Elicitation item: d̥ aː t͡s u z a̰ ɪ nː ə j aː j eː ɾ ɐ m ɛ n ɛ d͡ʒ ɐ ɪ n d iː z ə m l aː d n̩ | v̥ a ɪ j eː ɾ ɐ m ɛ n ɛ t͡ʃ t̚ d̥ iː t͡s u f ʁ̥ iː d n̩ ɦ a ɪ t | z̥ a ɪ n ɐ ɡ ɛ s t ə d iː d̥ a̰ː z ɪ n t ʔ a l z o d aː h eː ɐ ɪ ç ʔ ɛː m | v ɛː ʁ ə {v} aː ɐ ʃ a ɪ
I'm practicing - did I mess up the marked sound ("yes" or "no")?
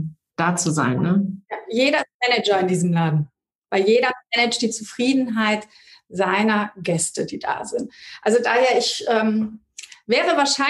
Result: no